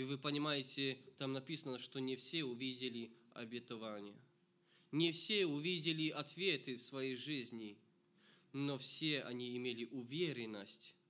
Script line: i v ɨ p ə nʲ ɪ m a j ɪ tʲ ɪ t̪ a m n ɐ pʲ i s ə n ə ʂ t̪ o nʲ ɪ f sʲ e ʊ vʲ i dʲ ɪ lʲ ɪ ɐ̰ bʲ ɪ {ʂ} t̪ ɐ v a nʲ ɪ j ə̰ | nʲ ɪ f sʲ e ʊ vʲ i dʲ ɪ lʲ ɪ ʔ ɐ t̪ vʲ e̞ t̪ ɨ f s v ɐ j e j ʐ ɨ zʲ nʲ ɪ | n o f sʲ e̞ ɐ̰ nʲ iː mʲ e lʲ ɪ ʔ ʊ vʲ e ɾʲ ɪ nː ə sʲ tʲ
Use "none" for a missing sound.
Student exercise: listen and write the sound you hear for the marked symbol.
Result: none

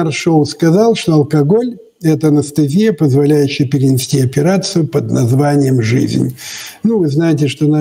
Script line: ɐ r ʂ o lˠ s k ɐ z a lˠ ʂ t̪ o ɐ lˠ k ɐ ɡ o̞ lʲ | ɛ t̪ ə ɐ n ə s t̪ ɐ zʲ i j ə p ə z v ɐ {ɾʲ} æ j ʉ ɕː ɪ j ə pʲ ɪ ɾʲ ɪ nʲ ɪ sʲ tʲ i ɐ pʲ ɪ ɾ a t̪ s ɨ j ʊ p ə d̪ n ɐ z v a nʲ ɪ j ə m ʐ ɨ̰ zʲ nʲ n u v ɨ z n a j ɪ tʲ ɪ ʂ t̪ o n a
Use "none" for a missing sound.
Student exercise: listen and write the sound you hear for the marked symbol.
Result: lʲ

